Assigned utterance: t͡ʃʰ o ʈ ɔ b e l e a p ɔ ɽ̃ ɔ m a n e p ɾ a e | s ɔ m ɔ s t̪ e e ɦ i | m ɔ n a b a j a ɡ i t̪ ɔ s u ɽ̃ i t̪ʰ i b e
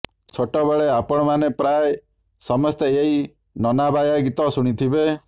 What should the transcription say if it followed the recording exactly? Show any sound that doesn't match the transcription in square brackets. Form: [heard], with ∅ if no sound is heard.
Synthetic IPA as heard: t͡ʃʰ o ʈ ɔ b e [ɭ] e a p ɔ ɽ̃ ɔ m a n e p ɾ a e | s ɔ m ɔ s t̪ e e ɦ i | [n] ɔ n a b a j a ɡ i t̪ ɔ s u ɽ̃ i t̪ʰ i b e